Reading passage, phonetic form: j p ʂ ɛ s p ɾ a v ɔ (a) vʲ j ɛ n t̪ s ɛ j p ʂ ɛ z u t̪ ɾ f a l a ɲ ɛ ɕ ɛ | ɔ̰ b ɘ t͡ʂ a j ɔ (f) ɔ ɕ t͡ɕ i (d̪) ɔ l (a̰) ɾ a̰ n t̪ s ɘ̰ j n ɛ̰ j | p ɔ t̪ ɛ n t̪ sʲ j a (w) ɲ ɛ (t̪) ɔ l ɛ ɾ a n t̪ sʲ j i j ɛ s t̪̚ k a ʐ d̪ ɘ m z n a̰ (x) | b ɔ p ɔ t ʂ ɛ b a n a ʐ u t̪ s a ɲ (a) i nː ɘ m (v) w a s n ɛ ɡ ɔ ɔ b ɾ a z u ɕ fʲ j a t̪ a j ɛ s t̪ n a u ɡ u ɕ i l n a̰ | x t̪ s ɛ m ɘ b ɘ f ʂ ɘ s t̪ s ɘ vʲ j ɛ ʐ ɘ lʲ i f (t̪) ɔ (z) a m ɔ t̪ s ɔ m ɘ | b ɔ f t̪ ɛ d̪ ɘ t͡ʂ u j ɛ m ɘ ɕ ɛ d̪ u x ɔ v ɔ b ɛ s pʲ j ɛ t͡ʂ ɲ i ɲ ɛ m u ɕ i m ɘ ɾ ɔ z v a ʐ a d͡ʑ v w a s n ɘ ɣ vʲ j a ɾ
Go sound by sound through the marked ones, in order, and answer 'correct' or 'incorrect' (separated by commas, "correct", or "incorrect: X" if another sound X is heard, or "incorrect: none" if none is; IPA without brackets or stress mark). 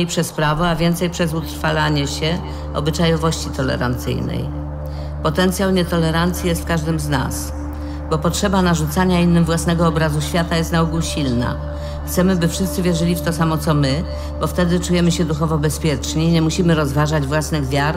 correct, incorrect: v, incorrect: t̪, incorrect: ɛ̰, correct, correct, incorrect: s, correct, correct, correct, incorrect: s